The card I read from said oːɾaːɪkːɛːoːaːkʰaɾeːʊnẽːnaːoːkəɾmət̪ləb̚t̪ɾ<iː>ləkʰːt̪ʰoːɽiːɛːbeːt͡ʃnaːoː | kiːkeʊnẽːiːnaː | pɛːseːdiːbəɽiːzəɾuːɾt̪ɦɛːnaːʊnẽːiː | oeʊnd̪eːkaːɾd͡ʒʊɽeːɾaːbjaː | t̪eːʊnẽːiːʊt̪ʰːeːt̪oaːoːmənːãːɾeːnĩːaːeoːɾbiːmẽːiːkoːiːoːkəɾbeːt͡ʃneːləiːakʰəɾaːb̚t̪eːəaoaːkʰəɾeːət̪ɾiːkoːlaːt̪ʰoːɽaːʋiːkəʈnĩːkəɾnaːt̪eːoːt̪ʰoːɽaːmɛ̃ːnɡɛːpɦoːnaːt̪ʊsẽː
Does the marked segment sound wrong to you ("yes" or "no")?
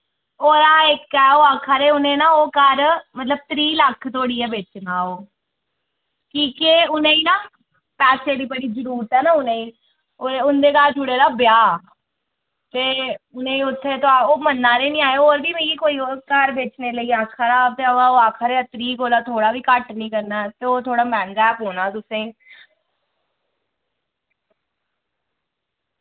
no